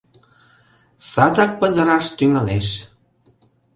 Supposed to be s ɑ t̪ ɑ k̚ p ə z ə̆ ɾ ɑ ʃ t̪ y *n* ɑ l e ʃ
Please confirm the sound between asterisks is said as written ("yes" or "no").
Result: no